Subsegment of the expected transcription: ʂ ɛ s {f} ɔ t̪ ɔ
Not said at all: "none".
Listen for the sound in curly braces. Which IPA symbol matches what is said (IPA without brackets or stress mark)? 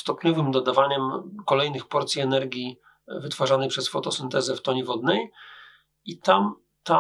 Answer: f